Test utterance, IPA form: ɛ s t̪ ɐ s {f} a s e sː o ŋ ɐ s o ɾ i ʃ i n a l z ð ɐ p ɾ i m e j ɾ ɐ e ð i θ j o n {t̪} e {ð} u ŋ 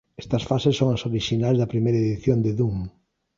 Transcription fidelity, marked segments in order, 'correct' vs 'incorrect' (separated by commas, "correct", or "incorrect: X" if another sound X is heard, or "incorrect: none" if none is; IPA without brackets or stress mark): correct, incorrect: d̪, correct